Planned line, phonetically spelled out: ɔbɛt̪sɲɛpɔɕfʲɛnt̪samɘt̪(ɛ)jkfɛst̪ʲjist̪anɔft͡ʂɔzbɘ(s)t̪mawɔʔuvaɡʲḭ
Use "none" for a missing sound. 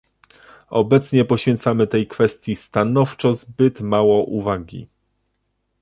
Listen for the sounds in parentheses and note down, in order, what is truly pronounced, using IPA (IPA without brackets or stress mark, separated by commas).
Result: ɛ, none